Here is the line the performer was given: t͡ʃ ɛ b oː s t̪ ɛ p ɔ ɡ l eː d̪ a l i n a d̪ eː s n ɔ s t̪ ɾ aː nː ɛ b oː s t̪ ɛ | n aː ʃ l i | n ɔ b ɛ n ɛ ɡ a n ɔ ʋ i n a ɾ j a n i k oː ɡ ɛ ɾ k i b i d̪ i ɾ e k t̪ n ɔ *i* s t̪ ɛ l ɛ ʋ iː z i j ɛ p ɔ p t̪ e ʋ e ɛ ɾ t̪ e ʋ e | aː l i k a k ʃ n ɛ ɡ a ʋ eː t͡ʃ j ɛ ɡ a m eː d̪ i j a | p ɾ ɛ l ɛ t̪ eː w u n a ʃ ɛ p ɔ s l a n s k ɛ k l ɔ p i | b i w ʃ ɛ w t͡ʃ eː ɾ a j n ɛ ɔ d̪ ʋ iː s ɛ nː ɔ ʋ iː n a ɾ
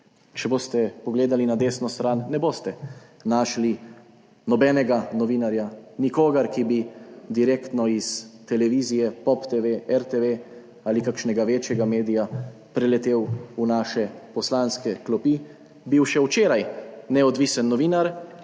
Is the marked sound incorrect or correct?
correct